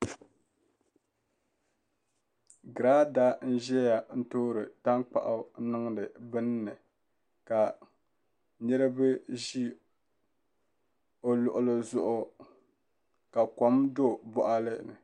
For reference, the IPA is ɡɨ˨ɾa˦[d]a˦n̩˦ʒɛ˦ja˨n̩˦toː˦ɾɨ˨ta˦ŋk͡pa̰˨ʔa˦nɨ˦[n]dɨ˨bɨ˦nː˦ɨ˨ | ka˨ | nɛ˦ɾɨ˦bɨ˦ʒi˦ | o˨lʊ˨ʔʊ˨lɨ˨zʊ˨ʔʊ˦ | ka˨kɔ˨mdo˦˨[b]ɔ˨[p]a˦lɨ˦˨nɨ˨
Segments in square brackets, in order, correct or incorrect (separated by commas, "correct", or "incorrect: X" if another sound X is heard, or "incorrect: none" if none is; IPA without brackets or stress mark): correct, incorrect: ŋ, correct, incorrect: ʔ